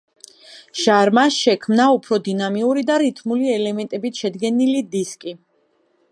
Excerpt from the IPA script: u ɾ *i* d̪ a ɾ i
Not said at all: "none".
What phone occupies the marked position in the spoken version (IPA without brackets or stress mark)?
i